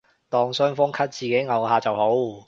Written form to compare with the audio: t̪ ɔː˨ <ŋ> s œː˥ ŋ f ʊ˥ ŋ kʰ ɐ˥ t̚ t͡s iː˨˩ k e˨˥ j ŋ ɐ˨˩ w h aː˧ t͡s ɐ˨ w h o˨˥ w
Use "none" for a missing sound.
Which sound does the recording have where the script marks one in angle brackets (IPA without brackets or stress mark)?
ŋ